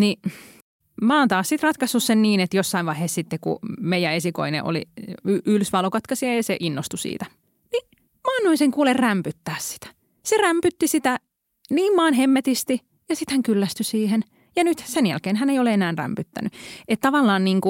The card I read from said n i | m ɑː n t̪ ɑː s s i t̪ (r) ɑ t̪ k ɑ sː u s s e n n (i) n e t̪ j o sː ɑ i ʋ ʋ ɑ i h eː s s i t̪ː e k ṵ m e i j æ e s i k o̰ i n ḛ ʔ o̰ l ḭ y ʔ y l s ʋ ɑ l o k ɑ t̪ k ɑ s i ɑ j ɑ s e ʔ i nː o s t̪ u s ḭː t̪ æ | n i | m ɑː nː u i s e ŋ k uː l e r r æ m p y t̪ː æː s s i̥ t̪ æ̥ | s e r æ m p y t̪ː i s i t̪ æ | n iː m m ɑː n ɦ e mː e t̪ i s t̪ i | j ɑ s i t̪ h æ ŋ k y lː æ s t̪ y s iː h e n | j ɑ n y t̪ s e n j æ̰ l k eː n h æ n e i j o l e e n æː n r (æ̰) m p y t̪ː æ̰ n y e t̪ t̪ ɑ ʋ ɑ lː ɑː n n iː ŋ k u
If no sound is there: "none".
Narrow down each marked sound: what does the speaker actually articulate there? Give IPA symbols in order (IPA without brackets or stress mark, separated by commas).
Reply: r, iː, æ̰